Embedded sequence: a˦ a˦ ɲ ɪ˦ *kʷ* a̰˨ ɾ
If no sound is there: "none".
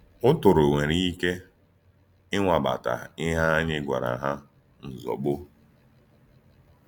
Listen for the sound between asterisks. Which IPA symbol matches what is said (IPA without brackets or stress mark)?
ɡʷ